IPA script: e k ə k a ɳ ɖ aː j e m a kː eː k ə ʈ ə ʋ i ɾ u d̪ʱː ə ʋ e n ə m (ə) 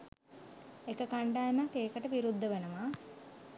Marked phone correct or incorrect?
incorrect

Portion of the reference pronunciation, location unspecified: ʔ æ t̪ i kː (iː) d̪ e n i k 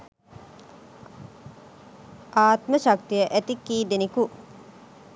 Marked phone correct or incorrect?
correct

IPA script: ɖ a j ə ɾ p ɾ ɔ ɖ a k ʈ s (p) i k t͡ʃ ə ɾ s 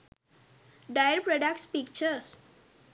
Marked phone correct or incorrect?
correct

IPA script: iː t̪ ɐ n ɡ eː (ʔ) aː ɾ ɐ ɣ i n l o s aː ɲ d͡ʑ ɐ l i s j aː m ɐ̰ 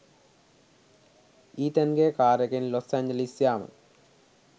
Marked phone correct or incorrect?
incorrect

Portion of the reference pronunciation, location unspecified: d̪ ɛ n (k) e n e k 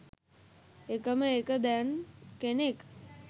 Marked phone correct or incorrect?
correct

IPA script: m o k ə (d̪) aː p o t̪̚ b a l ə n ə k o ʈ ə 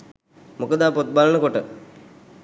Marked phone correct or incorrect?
correct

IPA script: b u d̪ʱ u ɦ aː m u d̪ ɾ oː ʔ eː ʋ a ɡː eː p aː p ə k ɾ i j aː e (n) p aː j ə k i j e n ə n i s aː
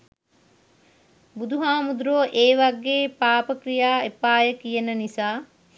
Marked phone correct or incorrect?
incorrect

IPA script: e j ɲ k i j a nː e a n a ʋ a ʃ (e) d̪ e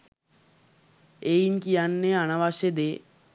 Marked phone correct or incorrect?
correct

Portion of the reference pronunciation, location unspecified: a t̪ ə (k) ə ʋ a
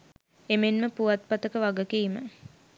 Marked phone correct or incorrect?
correct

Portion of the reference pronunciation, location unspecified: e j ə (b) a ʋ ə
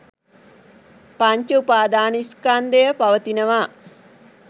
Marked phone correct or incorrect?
incorrect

